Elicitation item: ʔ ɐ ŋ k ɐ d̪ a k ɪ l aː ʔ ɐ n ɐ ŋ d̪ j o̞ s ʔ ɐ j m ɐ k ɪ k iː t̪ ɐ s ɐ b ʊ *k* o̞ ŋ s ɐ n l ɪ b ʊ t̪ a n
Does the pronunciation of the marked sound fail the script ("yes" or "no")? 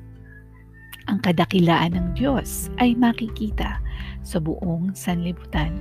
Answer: yes